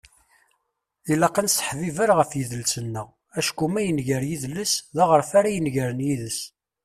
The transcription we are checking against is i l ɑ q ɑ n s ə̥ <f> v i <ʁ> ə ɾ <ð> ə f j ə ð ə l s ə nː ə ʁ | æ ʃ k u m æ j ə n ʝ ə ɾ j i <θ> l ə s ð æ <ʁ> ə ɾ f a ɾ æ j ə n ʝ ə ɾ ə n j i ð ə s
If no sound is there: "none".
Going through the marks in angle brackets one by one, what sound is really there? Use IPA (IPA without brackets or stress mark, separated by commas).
ħ, v, ʁ, ð, ʁ